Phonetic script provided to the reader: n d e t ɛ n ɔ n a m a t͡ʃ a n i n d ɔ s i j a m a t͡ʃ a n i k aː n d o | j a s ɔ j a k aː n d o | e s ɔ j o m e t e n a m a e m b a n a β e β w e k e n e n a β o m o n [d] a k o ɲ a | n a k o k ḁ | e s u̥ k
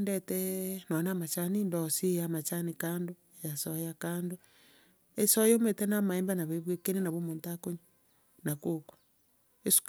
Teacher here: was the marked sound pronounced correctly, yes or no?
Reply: no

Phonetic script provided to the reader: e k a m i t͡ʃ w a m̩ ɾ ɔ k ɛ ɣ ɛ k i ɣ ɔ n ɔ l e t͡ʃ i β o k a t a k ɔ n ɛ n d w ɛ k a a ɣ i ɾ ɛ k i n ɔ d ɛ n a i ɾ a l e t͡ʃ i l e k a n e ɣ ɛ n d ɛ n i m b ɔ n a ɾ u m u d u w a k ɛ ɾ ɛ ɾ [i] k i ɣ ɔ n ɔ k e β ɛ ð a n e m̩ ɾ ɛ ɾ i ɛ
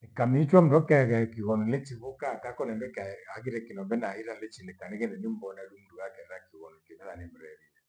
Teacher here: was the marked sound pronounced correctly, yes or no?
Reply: no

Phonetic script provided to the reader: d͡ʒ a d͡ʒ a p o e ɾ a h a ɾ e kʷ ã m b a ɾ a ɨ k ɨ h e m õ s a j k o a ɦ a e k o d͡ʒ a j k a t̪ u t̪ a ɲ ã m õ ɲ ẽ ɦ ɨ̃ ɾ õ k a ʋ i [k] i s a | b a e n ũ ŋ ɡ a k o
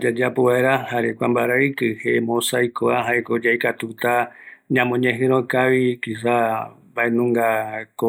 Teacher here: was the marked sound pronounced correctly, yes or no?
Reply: yes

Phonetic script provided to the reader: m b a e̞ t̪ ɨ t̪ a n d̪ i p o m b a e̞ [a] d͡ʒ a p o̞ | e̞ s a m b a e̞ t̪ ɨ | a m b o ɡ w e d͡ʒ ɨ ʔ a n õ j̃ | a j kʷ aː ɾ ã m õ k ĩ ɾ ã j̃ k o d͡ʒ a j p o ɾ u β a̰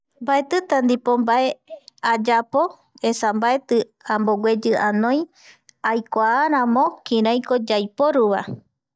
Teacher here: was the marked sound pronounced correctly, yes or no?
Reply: yes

